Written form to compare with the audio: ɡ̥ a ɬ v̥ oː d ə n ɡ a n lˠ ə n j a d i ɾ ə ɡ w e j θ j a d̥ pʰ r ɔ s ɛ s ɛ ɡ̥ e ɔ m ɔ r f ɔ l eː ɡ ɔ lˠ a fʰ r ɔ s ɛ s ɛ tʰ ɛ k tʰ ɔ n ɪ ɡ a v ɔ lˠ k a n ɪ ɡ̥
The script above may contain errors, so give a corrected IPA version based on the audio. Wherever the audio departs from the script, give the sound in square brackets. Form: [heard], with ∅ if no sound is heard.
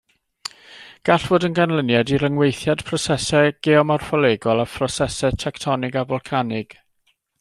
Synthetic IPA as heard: ɡ̥ a ɬ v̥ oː d ə n ɡ a n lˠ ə n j a d i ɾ ə [ŋ] w e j θ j a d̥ pʰ r ɔ s ɛ s ɛ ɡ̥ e ɔ m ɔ r f ɔ l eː ɡ ɔ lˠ a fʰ r ɔ s ɛ s ɛ tʰ ɛ k tʰ ɔ n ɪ ɡ a v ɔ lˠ [kʰ] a n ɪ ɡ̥